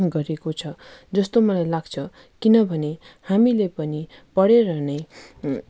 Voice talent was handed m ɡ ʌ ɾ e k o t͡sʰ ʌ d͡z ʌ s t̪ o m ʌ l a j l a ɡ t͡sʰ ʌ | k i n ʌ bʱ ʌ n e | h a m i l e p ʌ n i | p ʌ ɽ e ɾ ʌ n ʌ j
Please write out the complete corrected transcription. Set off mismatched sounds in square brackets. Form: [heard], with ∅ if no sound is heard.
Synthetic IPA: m ɡ ʌ ɾ e k o t͡sʰ ʌ d͡z ʌ s t̪ o m ʌ l a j l a ɡ t͡sʰ ʌ | k i n ʌ bʱ ʌ n e | h a m i l e p ʌ n i | p ʌ ɽ e ɾ ʌ n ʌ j

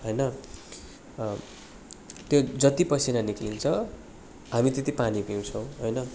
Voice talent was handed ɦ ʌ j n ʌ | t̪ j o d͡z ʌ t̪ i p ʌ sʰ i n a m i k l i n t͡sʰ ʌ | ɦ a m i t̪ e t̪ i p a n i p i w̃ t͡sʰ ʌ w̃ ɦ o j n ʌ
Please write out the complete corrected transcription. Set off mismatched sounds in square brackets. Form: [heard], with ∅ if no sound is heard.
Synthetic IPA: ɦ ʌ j n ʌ | t̪ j o d͡z ʌ t̪ i p ʌ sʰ i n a [n] i k l i n t͡sʰ ʌ | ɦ a m i t̪ e t̪ i p a n i p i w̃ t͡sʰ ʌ w̃ ɦ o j n ʌ

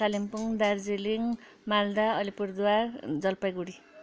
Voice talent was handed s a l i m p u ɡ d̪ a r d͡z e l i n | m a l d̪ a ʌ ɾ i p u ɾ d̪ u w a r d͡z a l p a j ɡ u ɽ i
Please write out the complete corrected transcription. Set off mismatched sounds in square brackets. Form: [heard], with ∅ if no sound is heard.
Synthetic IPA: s a l i m p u [ŋ] d̪ a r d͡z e l i [ŋ] | m a l d̪ a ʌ [l] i p u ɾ d̪ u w a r d͡z [ʌ] l p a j ɡ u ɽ i

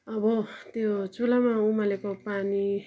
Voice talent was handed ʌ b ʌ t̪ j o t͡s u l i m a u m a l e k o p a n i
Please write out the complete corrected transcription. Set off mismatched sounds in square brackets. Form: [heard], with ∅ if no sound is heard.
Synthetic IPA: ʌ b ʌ t̪ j o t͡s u l [a] m a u m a l e k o p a n i

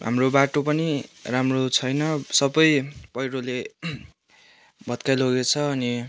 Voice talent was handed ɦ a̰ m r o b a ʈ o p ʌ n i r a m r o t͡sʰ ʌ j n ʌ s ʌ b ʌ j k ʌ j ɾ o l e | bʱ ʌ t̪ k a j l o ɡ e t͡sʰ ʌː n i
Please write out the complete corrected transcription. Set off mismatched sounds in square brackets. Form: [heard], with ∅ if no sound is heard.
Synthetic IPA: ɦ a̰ m r o b a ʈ o p ʌ n i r a m r o t͡sʰ ʌ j n ʌ s ʌ b ʌ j [p] ʌ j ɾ o l e | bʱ ʌ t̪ k a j l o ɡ e t͡sʰ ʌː n i

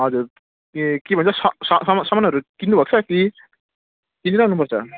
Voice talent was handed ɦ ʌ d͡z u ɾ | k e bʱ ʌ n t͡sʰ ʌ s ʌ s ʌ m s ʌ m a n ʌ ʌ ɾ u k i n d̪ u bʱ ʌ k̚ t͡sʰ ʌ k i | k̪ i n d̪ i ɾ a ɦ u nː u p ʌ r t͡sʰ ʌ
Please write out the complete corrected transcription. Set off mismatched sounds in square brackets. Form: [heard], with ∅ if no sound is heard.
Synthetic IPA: ɦ ʌ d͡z u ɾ | k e bʱ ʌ n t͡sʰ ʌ s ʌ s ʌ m s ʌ m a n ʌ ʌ ɾ u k i n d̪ u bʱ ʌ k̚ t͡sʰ ʌ k i | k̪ i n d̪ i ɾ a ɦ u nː u p ʌ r t͡sʰ ʌ

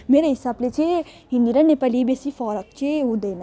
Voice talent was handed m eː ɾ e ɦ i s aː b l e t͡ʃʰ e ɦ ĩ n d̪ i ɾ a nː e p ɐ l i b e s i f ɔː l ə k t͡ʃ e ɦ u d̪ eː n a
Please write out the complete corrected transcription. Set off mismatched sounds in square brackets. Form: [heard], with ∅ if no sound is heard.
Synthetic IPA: m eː ɾ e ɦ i s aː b l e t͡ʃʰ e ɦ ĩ n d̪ i ɾ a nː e p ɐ l i b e s i f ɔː [ɾ] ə k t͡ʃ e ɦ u d̪ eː n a

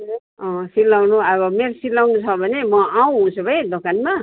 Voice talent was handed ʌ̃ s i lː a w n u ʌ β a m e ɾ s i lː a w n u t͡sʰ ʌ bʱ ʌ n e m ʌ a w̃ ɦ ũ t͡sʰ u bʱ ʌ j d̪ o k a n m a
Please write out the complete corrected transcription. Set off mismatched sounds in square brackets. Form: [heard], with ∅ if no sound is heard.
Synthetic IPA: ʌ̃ s i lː a w n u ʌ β [ʌ] m e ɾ s i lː a w n u t͡sʰ ʌ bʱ ʌ n e m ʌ a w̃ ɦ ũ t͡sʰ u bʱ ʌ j d̪ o k a n m a

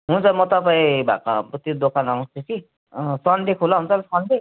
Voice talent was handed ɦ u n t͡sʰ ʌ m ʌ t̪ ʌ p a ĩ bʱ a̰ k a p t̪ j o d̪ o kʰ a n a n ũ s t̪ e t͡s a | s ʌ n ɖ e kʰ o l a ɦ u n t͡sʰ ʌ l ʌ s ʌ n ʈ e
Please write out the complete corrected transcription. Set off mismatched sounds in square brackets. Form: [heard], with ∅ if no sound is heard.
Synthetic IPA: ɦ u n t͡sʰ ʌ m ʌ t̪ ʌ p a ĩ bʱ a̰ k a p t̪ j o d̪ o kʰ a n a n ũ s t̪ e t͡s [i] | s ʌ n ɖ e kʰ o l a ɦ u n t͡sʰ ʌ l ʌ s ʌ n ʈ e

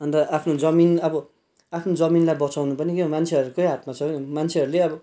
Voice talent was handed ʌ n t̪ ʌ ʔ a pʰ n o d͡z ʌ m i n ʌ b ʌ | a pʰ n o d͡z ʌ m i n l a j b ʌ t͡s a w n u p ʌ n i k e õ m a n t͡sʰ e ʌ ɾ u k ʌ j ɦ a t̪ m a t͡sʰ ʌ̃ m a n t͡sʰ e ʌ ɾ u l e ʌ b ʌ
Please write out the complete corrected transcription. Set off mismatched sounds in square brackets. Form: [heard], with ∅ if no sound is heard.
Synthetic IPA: ʌ n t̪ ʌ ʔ a pʰ n o d͡z ʌ m i n ʌ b ʌ | a pʰ n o d͡z ʌ m i n l a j b ʌ t͡s a w n u p ʌ n i k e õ m a n t͡sʰ e ʌ ɾ u k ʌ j ɦ a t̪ m a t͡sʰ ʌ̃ m a n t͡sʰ e ʌ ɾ u l e ʌ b ʌ

